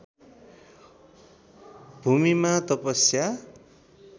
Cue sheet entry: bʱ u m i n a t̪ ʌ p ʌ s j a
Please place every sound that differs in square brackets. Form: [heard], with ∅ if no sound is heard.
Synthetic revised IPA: bʱ u m i [m] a t̪ ʌ p ʌ s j a